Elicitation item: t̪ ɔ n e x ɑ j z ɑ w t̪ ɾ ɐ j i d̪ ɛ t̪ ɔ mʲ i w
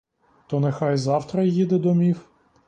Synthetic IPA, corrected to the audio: t̪ ɔ n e x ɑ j z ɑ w t̪ ɾ ɐ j i d̪ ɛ d̪ ɔ mʲ i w